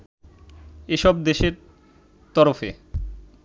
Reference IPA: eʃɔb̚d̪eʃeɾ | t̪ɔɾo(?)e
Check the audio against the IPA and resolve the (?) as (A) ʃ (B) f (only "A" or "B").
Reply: B